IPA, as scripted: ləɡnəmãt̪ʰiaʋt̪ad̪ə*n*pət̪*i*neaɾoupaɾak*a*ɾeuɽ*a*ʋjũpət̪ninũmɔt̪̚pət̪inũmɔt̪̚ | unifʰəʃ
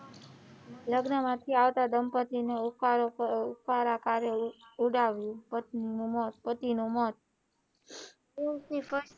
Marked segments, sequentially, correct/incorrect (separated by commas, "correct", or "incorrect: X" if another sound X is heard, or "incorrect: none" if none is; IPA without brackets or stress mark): incorrect: m, correct, correct, correct